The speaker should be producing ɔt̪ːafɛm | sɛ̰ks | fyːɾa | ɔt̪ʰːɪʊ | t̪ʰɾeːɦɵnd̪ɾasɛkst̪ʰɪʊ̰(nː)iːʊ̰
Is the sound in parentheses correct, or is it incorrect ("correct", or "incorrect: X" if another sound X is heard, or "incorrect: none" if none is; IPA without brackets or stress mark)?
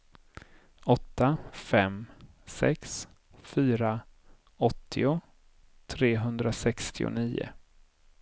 incorrect: n